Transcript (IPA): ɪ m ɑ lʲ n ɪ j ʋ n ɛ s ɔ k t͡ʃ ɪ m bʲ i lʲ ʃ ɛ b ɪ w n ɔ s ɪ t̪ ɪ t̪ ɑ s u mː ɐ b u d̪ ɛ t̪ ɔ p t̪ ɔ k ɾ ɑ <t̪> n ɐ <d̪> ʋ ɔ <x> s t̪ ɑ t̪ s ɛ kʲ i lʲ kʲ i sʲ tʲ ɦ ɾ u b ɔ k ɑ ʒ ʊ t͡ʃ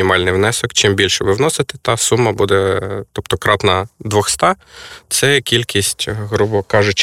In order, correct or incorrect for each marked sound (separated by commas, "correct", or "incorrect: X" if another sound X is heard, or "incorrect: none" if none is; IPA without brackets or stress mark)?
correct, correct, correct